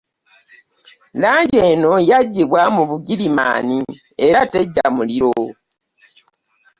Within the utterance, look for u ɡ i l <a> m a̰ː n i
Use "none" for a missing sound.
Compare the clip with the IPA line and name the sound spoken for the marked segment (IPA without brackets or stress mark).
i